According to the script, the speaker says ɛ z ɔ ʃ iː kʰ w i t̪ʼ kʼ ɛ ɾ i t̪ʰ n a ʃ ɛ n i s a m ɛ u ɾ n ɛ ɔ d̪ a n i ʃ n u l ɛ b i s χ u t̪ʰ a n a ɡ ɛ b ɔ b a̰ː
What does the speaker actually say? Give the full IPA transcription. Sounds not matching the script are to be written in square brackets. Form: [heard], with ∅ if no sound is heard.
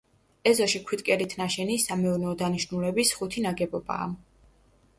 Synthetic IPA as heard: ɛ z ɔ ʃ [i] kʰ w i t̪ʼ kʼ ɛ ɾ i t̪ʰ n a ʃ ɛ n i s a m ɛ u ɾ n ɛ ɔ d̪ a n i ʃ n u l ɛ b i s χ u t̪ʰ [i] n a ɡ ɛ b ɔ b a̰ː